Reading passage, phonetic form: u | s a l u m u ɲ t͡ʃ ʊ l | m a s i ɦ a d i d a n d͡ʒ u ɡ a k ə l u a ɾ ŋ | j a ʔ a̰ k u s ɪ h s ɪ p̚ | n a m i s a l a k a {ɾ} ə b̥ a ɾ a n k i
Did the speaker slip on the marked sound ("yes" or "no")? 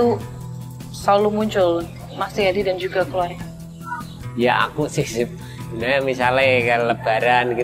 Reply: yes